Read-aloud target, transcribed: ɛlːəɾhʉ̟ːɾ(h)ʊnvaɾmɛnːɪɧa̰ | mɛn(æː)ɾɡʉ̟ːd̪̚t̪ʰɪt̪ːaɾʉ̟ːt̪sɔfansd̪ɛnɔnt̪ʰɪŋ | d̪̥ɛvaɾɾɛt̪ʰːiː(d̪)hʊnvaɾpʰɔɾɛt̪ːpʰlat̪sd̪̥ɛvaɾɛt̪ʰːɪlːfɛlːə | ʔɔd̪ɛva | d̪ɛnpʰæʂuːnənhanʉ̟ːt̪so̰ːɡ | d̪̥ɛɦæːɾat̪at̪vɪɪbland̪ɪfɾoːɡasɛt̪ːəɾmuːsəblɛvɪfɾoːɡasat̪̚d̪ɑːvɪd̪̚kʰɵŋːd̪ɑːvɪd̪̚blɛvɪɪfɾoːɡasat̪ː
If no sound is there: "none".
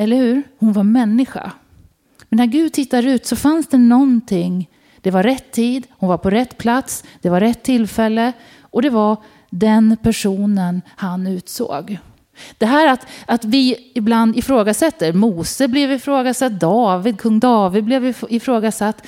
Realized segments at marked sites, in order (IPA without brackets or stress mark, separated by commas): h, æ, d̪